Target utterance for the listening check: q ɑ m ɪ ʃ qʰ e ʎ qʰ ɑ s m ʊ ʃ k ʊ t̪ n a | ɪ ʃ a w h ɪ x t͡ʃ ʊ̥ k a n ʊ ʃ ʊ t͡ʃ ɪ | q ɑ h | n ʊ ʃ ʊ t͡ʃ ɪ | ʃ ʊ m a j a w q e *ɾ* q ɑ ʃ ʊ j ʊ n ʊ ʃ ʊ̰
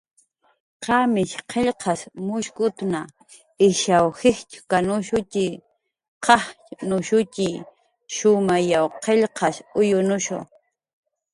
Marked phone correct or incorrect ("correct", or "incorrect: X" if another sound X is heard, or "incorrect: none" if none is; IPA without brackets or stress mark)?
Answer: incorrect: ʎ